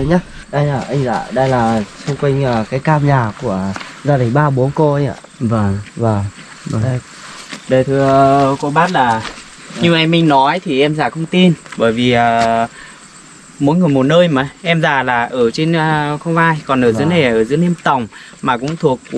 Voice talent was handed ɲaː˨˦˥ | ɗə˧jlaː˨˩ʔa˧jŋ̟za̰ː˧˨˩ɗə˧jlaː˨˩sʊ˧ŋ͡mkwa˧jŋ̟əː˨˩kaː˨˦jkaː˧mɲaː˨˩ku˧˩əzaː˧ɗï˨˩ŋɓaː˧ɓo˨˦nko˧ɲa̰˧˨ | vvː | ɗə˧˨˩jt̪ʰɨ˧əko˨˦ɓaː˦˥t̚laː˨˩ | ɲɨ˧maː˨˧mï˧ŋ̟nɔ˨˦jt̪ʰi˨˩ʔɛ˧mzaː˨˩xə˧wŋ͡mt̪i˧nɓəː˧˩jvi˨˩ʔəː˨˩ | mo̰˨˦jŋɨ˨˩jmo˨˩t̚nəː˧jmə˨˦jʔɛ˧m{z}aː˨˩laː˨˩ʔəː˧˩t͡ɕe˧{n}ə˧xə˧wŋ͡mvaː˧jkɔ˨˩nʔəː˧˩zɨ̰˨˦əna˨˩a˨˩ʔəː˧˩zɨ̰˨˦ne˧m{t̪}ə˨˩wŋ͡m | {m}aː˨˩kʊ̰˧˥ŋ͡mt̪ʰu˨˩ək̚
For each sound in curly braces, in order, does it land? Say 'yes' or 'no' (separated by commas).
yes, yes, yes, yes